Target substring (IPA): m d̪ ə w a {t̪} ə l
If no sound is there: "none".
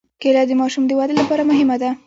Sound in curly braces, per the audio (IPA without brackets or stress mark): d̪